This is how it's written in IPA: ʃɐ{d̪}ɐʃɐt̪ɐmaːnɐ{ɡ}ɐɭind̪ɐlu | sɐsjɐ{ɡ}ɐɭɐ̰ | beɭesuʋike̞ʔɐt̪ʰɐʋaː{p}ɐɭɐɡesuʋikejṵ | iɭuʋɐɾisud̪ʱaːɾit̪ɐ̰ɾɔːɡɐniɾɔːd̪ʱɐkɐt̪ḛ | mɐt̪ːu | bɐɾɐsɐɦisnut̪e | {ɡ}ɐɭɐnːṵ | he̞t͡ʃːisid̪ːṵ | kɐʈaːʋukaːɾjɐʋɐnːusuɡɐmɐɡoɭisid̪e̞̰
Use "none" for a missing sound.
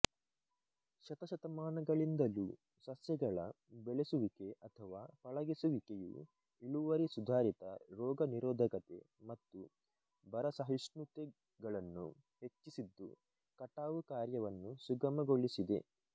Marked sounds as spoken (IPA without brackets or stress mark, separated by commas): t̪, ɡ, ɡ, p, ɡ